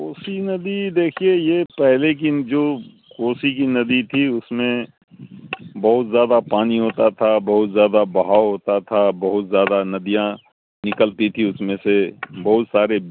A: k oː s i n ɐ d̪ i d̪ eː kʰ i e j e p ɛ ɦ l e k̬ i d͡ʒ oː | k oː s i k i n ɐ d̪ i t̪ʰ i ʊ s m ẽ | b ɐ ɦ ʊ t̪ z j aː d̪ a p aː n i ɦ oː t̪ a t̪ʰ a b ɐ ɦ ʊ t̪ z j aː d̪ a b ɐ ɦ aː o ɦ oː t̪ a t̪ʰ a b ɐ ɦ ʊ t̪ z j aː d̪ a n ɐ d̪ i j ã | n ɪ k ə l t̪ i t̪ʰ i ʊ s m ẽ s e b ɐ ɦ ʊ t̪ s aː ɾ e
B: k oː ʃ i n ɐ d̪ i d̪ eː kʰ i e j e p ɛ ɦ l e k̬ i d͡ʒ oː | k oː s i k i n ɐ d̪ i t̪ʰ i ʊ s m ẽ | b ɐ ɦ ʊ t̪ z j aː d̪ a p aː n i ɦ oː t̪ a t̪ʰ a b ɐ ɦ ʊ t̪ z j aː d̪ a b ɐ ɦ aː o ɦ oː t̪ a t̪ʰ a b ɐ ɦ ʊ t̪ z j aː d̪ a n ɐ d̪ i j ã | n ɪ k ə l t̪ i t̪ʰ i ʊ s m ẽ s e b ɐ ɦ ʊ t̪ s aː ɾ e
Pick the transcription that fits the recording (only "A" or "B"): A